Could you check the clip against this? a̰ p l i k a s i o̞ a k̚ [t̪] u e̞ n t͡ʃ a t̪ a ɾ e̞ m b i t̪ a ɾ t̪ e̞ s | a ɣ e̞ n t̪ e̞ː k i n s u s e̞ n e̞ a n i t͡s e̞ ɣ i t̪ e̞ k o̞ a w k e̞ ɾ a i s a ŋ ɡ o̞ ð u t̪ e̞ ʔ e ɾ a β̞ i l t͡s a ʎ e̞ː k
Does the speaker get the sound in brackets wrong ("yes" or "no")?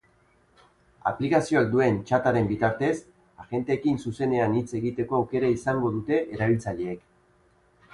yes